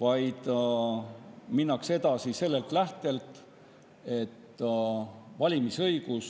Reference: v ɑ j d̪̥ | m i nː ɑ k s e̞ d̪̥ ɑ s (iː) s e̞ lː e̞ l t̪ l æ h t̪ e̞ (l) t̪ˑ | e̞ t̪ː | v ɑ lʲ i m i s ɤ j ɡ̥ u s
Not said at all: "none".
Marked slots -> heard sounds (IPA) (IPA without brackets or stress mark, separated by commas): i, l